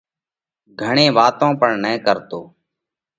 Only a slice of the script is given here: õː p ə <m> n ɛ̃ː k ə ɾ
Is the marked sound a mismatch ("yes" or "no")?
yes